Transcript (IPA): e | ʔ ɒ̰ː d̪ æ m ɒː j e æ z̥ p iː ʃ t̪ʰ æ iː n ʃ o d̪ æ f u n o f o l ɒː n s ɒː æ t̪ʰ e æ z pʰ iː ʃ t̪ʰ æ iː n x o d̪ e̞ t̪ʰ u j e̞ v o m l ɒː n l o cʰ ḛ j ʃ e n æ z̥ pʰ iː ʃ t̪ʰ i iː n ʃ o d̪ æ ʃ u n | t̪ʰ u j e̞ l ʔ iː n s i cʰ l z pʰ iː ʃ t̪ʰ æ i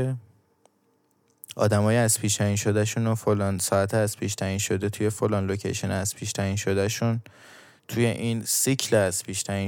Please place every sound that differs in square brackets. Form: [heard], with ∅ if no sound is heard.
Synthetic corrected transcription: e | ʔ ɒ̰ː d̪ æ m ɒː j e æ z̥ p iː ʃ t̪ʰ æ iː n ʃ o d̪ æ [ʃ] u n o f o l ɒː n s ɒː æ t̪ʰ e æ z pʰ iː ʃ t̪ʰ æ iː n [ʃ] o d̪ e̞ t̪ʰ u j e̞ [f] o [∅] l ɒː n l o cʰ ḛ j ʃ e n æ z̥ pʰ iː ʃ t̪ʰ [æ] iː n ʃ o d̪ æ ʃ u n | t̪ʰ u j e̞ [∅] ʔ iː n s i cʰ l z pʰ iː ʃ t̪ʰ æ i